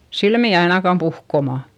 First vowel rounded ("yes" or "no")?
no